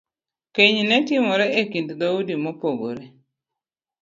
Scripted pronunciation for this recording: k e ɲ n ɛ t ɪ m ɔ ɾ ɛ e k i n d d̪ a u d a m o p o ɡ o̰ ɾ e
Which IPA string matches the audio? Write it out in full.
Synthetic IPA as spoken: k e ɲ n ɛ t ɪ m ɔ ɾ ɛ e k i n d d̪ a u d i m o p o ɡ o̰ ɾ e